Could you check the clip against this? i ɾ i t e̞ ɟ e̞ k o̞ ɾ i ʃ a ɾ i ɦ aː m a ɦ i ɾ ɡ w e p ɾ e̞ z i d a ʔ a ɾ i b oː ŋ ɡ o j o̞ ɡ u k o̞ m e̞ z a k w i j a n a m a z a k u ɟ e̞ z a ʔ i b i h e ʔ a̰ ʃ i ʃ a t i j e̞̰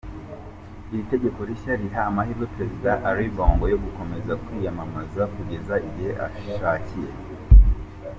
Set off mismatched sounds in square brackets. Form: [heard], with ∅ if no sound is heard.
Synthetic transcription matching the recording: i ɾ i t e̞ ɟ e̞ k o̞ ɾ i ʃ a ɾ i ɦ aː m a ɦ i ɾ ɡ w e p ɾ e̞ z i d a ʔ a ɾ i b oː ŋ ɡ o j o̞ ɡ u k o̞ m e̞ z a k w i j a [m] a m a z a k u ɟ e̞ z a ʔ i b i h e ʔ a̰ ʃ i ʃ a [c] i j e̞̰